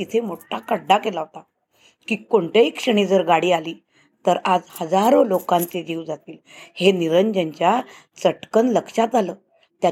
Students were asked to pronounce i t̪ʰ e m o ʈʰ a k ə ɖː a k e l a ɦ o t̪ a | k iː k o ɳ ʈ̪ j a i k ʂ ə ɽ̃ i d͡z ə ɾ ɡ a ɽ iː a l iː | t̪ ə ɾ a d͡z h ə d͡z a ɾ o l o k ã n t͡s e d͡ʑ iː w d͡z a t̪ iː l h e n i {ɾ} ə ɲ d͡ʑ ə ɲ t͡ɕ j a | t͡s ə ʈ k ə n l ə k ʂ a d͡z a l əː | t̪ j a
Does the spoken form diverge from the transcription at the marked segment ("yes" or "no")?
no